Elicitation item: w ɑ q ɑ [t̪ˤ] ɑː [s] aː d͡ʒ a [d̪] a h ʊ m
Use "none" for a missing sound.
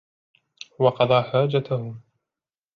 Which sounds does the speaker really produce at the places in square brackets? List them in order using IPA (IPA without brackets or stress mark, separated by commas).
d̪ˤ, ħ, t̪